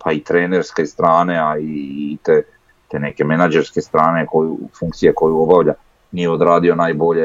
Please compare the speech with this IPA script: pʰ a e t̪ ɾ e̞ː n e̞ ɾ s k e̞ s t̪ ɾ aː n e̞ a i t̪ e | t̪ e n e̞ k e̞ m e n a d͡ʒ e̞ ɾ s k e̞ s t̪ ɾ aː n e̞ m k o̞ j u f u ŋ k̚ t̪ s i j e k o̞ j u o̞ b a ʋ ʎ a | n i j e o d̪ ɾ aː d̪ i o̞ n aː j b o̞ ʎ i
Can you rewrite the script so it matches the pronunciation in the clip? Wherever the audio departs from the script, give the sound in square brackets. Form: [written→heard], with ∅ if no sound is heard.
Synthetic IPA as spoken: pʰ a [e→i] t̪ ɾ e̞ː n e̞ ɾ s k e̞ s t̪ ɾ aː n e̞ a i t̪ e | t̪ e n e̞ k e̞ m e n a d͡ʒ e̞ ɾ s k e̞ s t̪ ɾ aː n e̞ [m→∅] k o̞ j u f u ŋ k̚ t̪ s i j e k o̞ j u o̞ b a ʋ ʎ a | n i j e o d̪ ɾ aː d̪ i o̞ n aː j b o̞ ʎ [i→e]